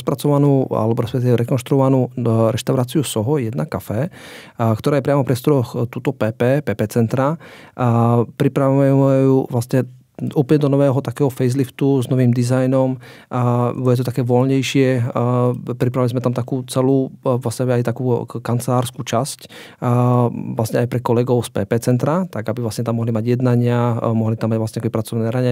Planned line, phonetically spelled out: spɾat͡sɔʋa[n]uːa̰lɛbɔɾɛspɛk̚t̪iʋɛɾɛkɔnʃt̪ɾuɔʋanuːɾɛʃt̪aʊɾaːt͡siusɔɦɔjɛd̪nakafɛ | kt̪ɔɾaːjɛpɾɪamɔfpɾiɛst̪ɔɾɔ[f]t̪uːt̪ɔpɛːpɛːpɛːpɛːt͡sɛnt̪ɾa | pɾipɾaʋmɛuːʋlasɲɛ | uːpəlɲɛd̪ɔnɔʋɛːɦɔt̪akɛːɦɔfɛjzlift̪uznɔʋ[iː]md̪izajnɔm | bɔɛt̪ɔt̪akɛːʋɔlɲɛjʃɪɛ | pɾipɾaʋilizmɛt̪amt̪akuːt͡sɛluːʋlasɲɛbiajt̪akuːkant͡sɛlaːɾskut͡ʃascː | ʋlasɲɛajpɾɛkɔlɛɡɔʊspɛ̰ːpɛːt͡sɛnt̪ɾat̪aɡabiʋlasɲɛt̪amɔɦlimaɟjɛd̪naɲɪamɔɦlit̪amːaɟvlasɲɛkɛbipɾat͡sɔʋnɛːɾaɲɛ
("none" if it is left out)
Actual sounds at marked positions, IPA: n, x, iː

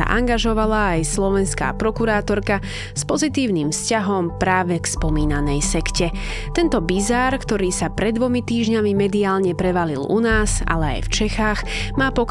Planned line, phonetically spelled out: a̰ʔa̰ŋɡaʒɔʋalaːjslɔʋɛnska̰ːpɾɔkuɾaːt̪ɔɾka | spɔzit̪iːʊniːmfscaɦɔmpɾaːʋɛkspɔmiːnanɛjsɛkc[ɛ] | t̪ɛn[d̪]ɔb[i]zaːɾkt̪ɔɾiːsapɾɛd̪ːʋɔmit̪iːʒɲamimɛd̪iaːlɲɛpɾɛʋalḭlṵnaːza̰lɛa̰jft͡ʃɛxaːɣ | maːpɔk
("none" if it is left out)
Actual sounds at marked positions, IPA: ɛ, t̪, i

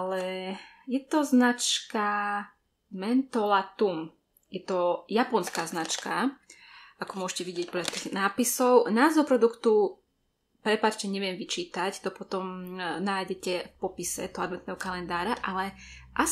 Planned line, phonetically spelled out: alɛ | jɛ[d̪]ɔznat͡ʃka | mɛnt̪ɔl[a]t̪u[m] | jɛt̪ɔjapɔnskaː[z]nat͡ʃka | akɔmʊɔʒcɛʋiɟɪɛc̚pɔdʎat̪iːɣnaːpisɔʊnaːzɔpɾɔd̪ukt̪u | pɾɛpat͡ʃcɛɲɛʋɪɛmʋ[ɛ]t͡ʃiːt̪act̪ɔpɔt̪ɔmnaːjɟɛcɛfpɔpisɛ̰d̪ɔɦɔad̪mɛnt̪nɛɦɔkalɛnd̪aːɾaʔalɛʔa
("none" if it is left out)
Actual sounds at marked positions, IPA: t̪, a, m, z, i

